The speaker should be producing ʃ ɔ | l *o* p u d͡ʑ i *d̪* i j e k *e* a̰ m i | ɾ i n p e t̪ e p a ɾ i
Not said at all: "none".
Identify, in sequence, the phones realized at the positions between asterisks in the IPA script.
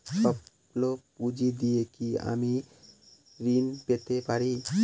o, d̪, i

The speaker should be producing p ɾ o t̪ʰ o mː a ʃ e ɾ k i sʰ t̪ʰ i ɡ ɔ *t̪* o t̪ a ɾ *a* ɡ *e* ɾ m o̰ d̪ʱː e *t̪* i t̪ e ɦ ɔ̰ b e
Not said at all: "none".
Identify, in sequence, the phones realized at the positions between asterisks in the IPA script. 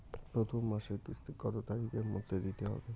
t̪, i, e, d̪

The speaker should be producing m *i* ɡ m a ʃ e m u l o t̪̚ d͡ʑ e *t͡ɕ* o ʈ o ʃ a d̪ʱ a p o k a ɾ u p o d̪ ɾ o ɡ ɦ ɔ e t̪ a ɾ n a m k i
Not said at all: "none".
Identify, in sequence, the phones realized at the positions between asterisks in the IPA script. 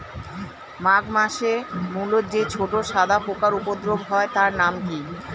a, t͡ɕʰ

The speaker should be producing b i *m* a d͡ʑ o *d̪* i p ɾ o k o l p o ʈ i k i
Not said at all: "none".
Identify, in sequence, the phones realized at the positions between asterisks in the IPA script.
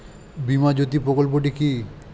m, t̪

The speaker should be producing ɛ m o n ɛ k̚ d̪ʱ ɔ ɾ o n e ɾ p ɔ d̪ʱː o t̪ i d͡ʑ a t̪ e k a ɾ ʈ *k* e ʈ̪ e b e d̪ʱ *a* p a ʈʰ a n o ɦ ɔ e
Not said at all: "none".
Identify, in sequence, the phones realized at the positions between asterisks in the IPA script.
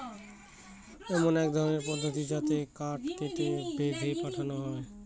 k, e

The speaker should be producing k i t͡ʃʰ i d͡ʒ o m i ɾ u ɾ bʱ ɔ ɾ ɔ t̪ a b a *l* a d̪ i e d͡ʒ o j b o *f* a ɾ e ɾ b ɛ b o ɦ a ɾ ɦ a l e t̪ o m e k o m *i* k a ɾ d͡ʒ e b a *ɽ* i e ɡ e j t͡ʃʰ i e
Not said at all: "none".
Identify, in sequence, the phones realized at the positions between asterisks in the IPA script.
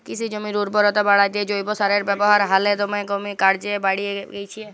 ɽ, s, i, ɽ

